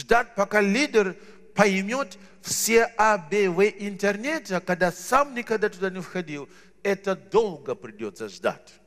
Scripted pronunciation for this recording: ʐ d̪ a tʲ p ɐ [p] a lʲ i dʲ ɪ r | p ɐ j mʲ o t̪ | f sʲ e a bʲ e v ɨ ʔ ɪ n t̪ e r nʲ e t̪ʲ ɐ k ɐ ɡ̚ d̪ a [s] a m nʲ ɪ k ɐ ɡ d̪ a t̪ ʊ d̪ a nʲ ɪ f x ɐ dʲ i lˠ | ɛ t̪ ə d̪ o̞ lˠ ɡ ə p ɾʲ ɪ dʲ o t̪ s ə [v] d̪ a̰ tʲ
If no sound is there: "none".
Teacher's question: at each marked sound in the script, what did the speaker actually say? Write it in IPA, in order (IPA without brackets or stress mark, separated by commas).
k, s, ʐ